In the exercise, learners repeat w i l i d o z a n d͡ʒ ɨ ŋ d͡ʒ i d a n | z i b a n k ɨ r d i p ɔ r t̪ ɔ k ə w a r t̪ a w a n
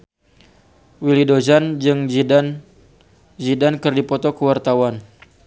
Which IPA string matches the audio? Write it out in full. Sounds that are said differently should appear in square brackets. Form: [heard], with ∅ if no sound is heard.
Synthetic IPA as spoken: w i l i d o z a n d͡ʒ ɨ ŋ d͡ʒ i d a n | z i [d] a n k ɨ r d i p ɔ [∅] t̪ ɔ k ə w a r t̪ a w a n